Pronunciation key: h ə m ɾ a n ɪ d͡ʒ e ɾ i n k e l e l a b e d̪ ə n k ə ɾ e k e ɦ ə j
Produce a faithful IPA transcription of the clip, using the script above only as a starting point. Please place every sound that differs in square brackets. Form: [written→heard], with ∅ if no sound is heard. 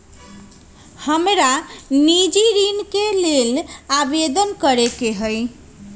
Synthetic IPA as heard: h ə m ɾ a n [ɪ→i] d͡ʒ [e→i] ɾ i n k e l e l a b e d̪ ə n k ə ɾ e k e ɦ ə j